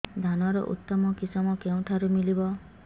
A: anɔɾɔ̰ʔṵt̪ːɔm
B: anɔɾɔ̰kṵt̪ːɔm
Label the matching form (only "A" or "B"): A